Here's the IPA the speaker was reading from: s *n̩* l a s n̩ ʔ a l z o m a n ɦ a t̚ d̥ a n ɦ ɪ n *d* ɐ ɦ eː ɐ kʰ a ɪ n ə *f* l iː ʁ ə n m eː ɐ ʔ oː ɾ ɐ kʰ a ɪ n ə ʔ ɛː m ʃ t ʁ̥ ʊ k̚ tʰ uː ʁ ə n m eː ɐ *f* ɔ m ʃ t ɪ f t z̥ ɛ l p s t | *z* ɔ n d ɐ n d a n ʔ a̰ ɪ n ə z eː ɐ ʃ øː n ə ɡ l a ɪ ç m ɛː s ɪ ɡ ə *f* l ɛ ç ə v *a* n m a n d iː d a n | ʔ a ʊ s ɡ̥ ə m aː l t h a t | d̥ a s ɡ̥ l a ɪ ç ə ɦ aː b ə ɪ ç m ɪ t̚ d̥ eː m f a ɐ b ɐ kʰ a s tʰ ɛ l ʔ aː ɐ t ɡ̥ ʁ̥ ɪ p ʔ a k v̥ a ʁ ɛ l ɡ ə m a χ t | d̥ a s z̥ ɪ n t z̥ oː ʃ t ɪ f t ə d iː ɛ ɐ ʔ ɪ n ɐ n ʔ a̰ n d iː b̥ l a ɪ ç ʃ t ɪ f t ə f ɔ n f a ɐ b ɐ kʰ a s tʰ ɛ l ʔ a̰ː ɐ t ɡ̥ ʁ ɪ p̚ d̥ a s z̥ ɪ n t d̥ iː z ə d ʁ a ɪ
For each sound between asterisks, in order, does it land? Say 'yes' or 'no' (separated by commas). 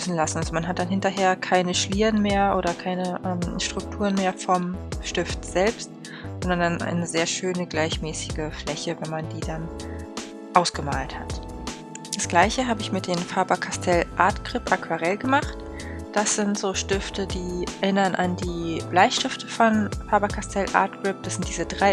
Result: yes, no, no, yes, yes, yes, no